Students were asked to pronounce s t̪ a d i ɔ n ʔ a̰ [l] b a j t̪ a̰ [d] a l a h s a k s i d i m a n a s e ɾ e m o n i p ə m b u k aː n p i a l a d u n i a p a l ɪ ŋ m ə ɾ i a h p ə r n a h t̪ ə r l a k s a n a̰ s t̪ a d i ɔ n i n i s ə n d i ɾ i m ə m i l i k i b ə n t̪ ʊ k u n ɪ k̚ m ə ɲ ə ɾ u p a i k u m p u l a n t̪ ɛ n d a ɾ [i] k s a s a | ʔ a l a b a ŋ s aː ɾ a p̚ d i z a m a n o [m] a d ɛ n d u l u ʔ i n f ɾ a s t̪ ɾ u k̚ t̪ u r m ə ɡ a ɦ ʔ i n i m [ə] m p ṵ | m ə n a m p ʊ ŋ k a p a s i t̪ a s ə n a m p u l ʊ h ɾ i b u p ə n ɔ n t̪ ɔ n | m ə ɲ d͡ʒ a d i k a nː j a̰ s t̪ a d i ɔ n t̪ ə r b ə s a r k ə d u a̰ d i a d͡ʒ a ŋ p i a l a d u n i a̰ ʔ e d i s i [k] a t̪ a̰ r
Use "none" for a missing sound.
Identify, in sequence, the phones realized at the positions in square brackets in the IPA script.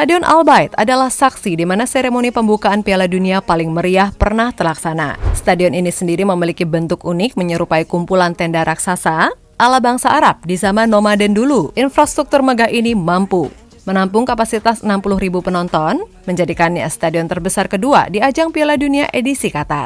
l, d, a, m, a, k

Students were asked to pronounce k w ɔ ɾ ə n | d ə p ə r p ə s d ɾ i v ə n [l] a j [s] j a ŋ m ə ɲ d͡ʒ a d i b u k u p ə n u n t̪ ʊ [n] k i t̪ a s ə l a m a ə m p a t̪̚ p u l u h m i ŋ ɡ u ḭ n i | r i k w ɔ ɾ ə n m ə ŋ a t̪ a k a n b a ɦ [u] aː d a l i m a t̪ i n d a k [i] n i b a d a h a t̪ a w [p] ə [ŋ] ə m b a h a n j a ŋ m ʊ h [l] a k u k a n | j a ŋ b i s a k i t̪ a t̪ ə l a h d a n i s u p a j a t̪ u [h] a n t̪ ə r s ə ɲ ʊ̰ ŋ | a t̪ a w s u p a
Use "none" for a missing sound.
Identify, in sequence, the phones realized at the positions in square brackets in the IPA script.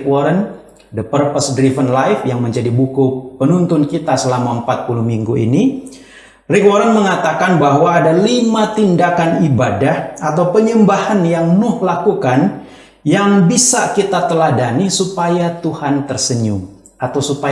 l, f, n, w, a, p, ɲ, l, h

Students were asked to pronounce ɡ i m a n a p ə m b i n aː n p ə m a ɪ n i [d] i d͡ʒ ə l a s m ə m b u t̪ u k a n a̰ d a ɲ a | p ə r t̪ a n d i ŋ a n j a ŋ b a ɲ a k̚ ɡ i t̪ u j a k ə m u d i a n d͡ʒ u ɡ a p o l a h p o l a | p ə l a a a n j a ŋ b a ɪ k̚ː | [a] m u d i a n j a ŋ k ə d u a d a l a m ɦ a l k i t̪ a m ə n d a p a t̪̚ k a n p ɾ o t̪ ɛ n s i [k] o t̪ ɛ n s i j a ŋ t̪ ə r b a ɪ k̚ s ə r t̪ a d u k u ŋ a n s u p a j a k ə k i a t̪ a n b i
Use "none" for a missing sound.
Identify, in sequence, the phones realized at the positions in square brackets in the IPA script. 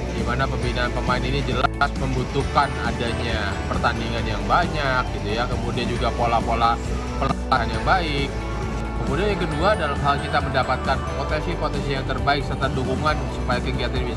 n, ə, p

